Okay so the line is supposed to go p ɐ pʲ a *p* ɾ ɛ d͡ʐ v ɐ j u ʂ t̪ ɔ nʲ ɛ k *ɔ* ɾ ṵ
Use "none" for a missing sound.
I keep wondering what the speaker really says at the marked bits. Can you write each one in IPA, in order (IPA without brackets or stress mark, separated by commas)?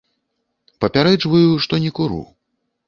none, u